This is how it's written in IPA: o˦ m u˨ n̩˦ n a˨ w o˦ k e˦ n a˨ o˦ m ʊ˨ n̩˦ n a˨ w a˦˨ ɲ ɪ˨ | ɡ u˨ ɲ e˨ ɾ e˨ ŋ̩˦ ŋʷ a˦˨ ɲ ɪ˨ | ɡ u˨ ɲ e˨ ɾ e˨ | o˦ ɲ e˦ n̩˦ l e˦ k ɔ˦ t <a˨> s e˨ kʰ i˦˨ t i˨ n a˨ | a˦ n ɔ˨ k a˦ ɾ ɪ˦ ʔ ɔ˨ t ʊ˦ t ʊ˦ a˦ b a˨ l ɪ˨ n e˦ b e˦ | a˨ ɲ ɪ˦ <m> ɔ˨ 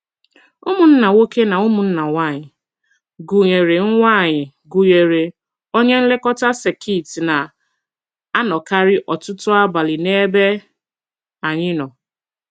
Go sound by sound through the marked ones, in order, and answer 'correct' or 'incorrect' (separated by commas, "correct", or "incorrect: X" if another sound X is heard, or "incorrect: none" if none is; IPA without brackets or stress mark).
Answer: incorrect: a˦, incorrect: n